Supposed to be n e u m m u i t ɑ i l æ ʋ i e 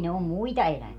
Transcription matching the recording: n e o m m u i t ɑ e l æ ʋ i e